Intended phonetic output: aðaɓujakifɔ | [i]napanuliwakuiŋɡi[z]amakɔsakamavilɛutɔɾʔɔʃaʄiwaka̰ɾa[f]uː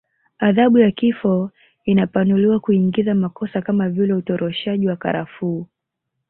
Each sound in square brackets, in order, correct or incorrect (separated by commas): correct, correct, correct